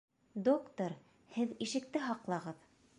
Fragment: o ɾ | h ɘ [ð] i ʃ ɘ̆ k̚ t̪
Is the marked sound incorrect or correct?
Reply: correct